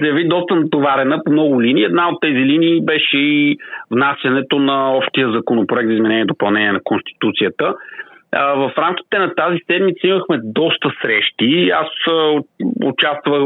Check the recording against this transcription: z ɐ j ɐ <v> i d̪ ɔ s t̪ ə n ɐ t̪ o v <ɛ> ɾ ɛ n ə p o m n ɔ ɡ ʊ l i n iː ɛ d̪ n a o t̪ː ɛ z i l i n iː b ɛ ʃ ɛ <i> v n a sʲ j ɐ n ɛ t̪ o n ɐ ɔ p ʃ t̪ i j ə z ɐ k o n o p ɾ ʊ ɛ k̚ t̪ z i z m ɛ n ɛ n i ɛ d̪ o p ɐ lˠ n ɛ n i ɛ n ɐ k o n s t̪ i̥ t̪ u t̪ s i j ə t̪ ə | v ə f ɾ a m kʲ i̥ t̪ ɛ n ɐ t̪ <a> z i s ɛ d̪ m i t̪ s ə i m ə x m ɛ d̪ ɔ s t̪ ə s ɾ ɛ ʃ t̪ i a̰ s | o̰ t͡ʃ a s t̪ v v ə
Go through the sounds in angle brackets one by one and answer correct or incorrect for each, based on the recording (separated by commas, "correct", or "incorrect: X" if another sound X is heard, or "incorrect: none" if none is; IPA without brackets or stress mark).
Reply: correct, incorrect: a, correct, correct